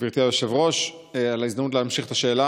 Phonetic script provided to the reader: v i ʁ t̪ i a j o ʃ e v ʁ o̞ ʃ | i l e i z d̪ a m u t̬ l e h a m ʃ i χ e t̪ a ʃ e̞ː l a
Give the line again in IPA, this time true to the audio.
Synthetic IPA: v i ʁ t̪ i a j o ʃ e v ʁ o̞ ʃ | a l a i z d̪ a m u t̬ l e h a m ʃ i χ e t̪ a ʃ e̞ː l a

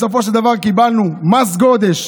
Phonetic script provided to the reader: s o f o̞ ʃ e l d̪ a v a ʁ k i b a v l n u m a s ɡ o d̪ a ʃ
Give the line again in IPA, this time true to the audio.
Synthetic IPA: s o f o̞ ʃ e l d̪ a v a ʁ k i b a l n u m a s ɡ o d̪ e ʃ

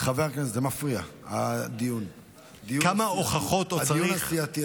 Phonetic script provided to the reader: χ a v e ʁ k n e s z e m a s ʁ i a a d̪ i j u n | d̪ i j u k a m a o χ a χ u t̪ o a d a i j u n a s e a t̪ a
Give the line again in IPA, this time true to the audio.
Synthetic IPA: χ a v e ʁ k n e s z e m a f ʁ i a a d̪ i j u n | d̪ i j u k a m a o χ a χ o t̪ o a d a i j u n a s i a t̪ i

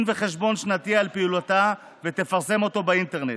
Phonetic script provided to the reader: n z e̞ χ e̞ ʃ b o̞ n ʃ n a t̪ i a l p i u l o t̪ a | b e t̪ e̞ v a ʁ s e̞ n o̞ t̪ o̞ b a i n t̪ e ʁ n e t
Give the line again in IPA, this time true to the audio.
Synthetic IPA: n v e̞ χ e̞ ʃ b o̞ n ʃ n a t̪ i a l p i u l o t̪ a | v e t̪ e̞ f a ʁ s e̞ m o̞ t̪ o̞ b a i n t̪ e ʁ n e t

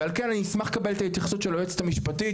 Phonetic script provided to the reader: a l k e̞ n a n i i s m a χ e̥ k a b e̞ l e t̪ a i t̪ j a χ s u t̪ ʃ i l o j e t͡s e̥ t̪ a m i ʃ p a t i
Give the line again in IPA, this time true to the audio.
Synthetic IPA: a l k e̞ n a n i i s m a χ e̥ k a b e̞ l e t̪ a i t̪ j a χ s u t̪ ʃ e l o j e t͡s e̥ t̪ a m i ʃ p a t i

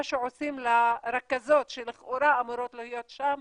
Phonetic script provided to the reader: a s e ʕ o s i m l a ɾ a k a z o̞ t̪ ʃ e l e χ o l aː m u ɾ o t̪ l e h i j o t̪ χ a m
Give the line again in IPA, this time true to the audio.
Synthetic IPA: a ʃ e ʕ o s i m l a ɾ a k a z o̞ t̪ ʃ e l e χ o ɾ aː m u ɾ o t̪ l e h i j o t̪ ʃ a m

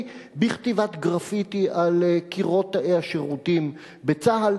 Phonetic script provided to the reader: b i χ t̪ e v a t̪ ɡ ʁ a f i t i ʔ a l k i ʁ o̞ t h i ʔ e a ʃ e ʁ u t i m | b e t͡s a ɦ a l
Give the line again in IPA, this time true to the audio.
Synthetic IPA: b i χ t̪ i v a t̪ ɡ ʁ a f i t i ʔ a l k i ʁ o̞ t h a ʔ e a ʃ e ʁ u t i m | b e t͡s a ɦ a l

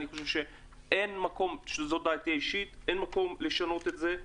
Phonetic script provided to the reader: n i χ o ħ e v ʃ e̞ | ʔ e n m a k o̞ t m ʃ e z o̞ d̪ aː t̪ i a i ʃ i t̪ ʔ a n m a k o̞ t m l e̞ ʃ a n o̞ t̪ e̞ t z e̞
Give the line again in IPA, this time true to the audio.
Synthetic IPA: n i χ o ʃ e v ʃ e̞ | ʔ e n m a k o̞ m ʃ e z o̞ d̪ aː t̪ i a i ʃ i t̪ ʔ e n m a k o̞ m l e̞ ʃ a n o̞ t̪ e̞ t z e̞

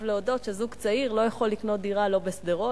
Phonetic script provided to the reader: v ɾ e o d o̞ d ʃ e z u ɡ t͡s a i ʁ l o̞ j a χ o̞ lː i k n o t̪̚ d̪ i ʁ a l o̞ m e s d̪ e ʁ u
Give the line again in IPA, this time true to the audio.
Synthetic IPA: v l e o d o̞ t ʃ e z u ɡ t͡s a i ʁ l o̞ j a χ o̞ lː i k n o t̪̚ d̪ i ʁ a l o̞ b e s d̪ e ʁ o

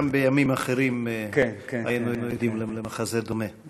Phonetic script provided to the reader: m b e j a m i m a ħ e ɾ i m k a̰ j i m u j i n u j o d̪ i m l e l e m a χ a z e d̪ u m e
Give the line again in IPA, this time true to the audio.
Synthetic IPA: m b e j a m i m a χ e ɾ i m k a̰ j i n u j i n u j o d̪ i m l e l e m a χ a z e d̪ o m e

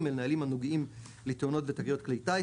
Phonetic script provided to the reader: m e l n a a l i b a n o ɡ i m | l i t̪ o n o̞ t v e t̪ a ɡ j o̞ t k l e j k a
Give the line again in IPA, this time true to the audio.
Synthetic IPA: m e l n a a l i m a n o ɡ i m | l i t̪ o n o̞ t v e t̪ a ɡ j o̞ t k l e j t a

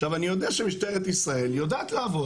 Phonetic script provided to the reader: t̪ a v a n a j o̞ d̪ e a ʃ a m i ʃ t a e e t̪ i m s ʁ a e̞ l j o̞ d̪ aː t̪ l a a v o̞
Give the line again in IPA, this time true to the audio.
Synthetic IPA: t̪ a v a n i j o̞ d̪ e a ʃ e m i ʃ t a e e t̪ i s ʁ a e̞ l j o̞ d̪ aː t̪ l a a v o̞

